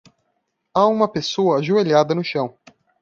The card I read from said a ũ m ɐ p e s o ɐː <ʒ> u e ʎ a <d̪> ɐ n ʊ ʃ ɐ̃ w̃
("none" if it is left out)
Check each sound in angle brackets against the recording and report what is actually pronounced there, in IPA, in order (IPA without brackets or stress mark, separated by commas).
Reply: ʒ, d̪